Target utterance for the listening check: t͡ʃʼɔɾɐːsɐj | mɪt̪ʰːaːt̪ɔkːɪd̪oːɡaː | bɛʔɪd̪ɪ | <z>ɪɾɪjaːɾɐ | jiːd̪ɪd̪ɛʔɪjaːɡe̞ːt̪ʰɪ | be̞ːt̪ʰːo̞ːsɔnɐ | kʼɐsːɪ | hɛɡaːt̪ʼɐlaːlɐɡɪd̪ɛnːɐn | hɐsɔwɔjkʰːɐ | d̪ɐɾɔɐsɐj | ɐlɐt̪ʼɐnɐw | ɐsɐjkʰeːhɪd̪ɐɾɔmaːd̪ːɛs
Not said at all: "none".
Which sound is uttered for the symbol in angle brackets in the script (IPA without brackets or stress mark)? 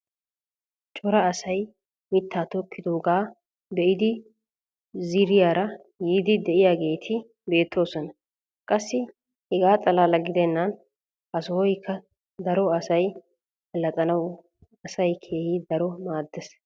z